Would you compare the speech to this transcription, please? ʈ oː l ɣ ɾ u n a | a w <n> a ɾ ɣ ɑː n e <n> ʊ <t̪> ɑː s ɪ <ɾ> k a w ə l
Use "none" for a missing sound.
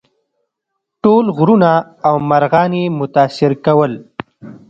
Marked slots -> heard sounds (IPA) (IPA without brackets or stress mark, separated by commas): m, m, t̪, ɾ